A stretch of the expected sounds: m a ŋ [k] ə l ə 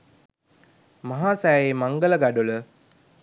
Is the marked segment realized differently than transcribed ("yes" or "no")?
yes